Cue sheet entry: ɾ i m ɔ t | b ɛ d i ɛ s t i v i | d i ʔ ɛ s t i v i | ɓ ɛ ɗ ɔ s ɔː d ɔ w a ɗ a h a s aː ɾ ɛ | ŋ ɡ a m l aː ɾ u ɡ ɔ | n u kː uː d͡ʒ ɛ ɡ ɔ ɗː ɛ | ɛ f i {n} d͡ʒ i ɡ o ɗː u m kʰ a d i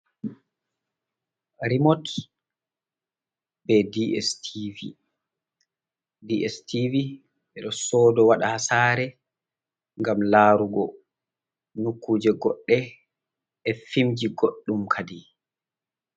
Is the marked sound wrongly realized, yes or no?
yes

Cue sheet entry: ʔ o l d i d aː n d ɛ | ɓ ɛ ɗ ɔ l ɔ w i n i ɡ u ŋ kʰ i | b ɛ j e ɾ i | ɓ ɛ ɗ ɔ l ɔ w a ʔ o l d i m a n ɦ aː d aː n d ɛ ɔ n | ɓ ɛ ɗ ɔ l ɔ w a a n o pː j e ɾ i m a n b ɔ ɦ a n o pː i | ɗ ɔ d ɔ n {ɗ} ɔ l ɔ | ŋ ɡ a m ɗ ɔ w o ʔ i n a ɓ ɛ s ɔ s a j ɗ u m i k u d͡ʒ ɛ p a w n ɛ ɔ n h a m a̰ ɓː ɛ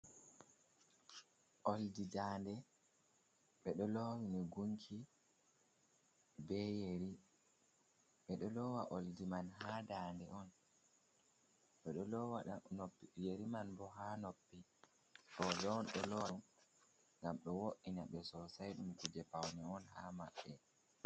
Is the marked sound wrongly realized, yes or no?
no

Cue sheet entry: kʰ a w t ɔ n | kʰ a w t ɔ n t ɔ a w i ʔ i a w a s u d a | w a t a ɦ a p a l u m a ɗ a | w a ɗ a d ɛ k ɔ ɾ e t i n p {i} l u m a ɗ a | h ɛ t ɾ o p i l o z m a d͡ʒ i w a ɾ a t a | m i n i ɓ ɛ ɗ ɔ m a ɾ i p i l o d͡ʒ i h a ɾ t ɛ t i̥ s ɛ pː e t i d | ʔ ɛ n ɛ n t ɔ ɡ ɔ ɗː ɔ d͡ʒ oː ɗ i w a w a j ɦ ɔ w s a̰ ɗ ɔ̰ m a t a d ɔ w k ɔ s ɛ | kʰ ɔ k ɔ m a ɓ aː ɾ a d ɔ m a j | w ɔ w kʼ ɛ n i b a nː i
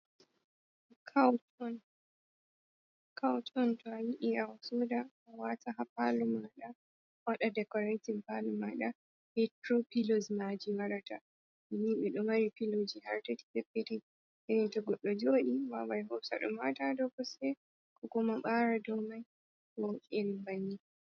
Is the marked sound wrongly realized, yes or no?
yes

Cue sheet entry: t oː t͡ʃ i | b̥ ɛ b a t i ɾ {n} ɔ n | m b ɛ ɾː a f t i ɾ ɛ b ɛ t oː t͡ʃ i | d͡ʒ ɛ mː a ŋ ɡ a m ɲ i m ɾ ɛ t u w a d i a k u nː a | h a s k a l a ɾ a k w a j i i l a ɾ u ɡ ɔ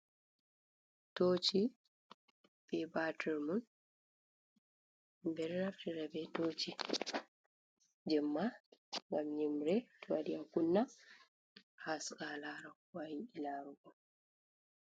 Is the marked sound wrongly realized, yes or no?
yes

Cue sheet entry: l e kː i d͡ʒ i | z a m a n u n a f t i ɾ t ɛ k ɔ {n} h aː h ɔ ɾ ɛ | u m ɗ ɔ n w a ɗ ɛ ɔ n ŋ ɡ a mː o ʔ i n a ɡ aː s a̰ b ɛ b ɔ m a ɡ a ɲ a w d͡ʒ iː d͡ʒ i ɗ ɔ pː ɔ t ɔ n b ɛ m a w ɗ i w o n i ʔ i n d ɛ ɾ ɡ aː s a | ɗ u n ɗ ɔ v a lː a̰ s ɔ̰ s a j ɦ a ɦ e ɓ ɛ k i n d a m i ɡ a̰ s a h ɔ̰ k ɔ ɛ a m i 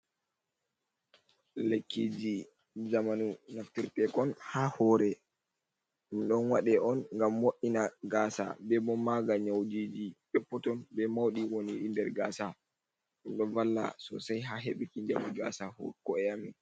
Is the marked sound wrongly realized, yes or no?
no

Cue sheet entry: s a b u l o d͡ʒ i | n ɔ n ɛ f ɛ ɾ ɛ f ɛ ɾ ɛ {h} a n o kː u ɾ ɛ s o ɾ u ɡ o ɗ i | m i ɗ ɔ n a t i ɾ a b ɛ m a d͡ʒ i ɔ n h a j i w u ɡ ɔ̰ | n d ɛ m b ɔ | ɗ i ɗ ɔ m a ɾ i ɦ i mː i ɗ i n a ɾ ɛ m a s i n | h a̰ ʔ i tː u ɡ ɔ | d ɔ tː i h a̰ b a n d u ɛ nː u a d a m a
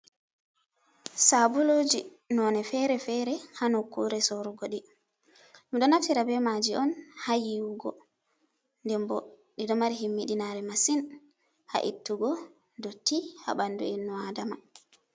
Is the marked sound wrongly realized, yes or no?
no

